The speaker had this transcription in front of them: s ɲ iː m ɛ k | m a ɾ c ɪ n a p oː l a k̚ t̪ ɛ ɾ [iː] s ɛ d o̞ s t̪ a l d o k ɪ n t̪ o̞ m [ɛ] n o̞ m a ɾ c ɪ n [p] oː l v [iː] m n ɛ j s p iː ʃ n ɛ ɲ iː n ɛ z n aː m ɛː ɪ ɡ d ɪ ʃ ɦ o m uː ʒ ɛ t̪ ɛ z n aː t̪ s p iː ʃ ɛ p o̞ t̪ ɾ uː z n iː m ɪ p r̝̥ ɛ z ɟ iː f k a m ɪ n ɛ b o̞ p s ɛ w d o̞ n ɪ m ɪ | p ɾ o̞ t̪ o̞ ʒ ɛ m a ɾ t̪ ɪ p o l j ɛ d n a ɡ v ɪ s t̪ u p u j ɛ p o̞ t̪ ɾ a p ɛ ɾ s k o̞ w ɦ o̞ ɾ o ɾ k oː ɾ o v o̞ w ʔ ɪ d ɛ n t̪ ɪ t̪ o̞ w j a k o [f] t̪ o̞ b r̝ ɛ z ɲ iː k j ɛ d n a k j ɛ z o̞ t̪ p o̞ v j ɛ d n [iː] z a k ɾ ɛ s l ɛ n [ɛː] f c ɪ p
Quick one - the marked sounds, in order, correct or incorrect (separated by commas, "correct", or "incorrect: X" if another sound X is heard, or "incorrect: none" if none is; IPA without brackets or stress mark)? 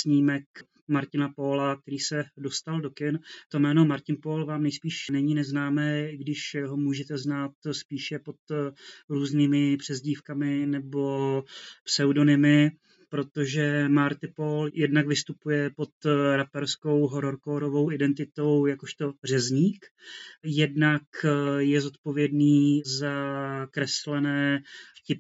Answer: correct, incorrect: ɛː, correct, incorrect: aː, incorrect: ʃ, correct, correct